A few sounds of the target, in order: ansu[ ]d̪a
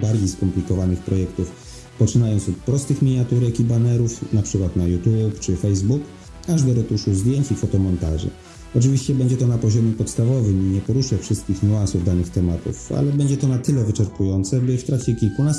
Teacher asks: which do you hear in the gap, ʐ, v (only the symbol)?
v